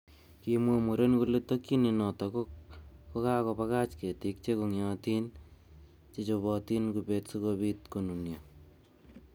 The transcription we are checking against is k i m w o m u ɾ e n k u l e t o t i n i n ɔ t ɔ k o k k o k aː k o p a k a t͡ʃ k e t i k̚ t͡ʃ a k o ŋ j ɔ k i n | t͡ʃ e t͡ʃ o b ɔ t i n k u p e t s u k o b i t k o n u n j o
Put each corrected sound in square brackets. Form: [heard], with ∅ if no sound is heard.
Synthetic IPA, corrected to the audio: k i m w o m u ɾ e n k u l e t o [k] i n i n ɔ t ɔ k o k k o k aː k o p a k a t͡ʃ k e t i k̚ t͡ʃ [e] k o ŋ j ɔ [t] i n | t͡ʃ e t͡ʃ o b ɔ t i n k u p e t s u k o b i t k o n u n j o